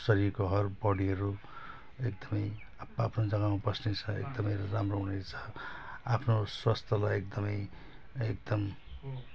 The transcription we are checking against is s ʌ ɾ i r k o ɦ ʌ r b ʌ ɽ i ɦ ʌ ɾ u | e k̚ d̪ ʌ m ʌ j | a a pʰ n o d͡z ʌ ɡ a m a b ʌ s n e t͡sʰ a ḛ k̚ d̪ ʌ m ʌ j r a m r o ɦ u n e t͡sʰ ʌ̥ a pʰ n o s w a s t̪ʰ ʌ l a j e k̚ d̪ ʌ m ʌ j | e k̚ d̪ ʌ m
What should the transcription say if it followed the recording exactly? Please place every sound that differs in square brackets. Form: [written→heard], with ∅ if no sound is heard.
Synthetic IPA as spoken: s ʌ ɾ i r k o ɦ ʌ r b ʌ ɽ i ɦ ʌ ɾ u | e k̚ d̪ ʌ m ʌ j | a a pʰ n o d͡z ʌ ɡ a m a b ʌ s n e t͡sʰ [a→ʌ] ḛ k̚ d̪ ʌ m ʌ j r a m r o ɦ u n e t͡sʰ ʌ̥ a pʰ n o s w a s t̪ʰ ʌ l a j e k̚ d̪ ʌ m ʌ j | e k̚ d̪ ʌ m